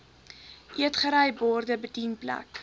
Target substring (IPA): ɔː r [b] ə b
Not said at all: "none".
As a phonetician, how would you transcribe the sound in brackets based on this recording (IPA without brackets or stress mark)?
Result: d